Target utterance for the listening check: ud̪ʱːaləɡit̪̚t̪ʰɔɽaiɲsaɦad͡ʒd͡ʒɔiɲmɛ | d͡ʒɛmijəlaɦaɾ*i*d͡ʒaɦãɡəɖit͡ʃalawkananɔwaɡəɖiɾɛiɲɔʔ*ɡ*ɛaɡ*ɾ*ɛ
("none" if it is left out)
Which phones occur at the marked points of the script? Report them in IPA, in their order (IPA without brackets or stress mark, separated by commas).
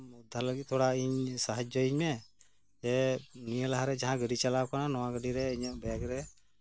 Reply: ɛ, b, ɾ